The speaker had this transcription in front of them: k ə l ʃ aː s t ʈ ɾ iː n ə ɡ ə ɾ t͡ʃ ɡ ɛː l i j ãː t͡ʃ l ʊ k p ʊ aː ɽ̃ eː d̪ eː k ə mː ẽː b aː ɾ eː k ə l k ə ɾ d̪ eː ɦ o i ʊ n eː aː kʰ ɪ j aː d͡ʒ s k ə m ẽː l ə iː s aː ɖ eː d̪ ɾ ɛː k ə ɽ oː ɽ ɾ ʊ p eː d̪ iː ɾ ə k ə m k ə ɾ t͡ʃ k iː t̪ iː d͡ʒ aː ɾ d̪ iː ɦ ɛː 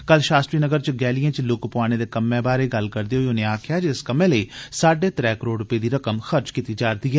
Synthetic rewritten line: k ə l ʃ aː s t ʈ ɾ iː n ə ɡ ə ɾ t͡ʃ ɡ ɛː l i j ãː t͡ʃ l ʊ k p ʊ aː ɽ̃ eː d̪ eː k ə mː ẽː b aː ɾ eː ɡ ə l k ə ɾ d̪ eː ɦ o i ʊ n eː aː kʰ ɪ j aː d͡ʒ s k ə m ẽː l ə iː s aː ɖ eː t̪ ɾ ɛː k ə ɾ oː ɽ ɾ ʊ p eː d̪ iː ɾ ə k ə m x ə ɾ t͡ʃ k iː t̪ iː d͡ʒ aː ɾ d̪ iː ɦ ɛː

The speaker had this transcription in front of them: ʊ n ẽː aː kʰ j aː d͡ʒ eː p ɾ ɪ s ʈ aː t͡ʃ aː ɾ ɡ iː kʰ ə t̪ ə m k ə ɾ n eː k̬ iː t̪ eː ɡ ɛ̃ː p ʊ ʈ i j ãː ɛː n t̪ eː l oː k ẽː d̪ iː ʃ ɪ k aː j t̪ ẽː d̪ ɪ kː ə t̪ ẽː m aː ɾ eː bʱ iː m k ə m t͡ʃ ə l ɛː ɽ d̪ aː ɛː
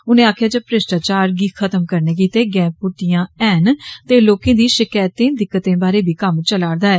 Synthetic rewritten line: ʊ n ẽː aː kʰ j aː d͡ʒ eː p ɾ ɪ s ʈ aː t͡ʃ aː ɾ ɡ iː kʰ ə t̪ ə m k ə ɾ n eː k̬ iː t̪ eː ɡ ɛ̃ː p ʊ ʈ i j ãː ɛː n t̪ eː l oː k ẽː d̪ iː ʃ ɪ k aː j t̪ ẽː d̪ ɪ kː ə t̪ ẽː b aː ɾ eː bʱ iː k ə m t͡ʃ ə l aː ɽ d̪ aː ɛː

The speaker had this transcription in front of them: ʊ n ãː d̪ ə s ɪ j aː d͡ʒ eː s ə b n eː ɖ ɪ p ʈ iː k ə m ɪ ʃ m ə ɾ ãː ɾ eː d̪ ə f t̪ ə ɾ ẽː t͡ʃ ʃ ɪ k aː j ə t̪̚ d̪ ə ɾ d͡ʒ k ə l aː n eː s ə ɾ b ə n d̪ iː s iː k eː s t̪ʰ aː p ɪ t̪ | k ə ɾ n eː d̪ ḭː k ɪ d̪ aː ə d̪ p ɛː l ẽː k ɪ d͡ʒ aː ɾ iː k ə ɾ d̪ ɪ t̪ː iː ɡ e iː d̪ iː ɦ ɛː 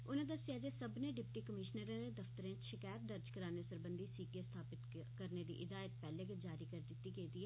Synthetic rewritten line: ʊ n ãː d̪ ə s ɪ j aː d͡ʒ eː s ə b n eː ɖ ɪ p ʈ iː k ə m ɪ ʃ n ə ɾ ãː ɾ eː d̪ ə f t̪ ə ɾ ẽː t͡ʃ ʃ ɪ k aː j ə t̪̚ d̪ ə ɾ d͡ʒ k ə ɾ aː n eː s ə ɾ b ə n d̪ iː s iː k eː s t̪ʰ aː p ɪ t̪ | k ə ɾ n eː d̪ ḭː ʔ ɪ d̪ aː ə t̪ p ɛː l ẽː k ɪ d͡ʒ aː ɾ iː k ə ɾ d̪ ɪ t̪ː iː ɡ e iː d̪ iː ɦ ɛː

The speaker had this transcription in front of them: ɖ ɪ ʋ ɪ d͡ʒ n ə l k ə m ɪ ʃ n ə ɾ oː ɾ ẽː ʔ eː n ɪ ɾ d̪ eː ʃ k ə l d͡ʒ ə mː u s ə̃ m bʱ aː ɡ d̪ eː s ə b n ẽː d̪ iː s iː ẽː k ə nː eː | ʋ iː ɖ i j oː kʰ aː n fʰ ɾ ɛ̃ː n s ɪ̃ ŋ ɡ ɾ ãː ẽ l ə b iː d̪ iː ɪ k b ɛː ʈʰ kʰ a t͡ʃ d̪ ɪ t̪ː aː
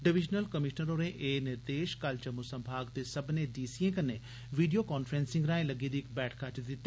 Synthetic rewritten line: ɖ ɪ ʋ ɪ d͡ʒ n ə l k ə m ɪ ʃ n ə ɾ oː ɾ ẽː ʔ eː n ɪ ɾ d̪ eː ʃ k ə l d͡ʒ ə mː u s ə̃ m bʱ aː ɡ d̪ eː s ə b n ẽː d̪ iː s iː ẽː k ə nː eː | ʋ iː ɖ i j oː k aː n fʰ ɾ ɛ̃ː n s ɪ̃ ŋ ɡ ɾ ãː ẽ l ə ɡ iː d̪ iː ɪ k b ɛː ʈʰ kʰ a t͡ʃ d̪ ɪ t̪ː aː

